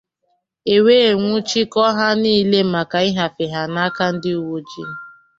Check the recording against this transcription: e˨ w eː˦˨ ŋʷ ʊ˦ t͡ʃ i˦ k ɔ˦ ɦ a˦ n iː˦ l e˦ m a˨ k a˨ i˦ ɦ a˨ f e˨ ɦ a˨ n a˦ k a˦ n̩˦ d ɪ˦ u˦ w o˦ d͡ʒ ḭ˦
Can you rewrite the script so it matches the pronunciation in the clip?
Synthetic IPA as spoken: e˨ w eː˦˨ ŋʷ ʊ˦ t͡ʃ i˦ k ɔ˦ ɦ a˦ n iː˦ l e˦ m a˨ k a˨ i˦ ɦ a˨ f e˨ ɦ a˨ n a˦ k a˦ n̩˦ d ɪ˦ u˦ w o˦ d͡ʒ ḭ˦